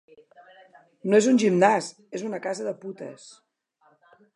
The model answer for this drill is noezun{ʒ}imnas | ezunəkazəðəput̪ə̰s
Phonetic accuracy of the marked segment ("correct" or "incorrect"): correct